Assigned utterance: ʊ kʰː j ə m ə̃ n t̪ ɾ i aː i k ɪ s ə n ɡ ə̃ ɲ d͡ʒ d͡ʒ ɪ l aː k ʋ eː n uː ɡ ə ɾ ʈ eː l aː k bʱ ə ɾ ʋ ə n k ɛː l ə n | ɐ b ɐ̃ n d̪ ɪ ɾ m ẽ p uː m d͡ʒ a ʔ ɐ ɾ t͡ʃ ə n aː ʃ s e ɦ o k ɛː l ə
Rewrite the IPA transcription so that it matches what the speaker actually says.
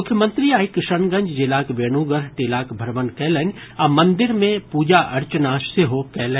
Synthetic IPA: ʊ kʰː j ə m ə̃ n t̪ ɾ i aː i k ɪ ʃ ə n ɡ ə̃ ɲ d͡ʒ d͡ʒ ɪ l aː k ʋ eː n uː ɡ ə ɾ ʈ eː l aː k bʱ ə ɾ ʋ ə n k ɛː l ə n | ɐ m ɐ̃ n d̪ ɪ ɾ m ẽ p uː d͡ʒ a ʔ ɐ ɾ t͡ʃ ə n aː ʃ s e ɦ o k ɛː l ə